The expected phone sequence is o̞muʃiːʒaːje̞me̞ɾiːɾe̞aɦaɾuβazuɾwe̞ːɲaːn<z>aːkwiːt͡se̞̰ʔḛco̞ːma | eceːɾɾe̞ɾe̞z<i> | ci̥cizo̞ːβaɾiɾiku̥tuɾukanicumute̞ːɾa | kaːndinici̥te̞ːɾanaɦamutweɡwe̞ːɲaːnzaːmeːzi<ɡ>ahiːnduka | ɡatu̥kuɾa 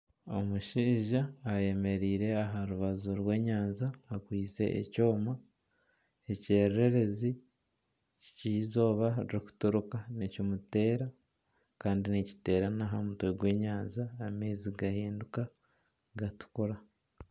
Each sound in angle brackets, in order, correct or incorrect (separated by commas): correct, correct, correct